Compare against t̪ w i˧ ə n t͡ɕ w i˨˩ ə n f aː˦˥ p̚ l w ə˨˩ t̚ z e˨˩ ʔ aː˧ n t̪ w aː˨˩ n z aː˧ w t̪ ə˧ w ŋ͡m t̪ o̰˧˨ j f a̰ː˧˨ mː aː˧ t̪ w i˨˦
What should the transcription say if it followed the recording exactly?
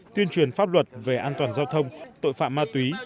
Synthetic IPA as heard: t̪ w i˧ ə n t͡ɕ w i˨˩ ə n f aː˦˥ p̚ l w ə˨˩ t̚ v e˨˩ ʔ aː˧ n t̪ w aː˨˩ n z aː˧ w t̪ʰ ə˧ w ŋ͡m t̪ o̰˧˨ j f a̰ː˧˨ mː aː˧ t̪ w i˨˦